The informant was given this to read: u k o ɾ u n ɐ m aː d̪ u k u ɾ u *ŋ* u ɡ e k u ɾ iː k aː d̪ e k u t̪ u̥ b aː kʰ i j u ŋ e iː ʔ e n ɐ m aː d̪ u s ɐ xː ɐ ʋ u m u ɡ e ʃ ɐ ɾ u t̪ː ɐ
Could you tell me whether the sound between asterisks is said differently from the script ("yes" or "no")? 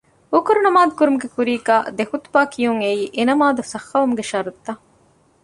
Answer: yes